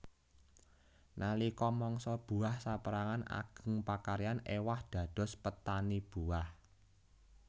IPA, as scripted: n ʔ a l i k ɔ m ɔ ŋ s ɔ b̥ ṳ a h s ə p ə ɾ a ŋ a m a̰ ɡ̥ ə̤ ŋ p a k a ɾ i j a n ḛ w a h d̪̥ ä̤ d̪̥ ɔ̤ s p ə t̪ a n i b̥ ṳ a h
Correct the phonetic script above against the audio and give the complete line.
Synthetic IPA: n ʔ a l i k ɔ m ɔ ŋ s ɔ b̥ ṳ a h s a p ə ɾ a ŋ a n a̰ ɡ̥ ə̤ ŋ p a k a ɾ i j a n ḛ w a h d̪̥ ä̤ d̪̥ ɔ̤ s p ə t̪ a n i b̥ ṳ a h